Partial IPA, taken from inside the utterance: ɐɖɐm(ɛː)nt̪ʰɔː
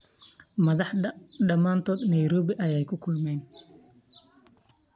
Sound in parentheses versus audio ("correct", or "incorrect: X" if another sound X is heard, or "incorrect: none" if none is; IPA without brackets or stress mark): incorrect: aː